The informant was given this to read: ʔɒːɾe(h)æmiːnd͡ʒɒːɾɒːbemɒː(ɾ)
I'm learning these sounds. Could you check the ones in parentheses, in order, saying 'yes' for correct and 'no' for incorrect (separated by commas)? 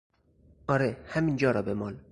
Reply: yes, no